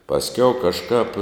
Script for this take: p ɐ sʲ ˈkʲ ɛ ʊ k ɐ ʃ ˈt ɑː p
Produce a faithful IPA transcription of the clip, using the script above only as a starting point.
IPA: p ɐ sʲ ˈkʲ ɛ ʊ k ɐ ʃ ˈk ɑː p